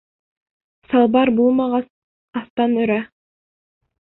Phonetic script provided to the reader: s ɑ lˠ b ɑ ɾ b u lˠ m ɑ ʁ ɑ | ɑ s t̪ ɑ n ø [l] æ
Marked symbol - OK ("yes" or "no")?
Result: no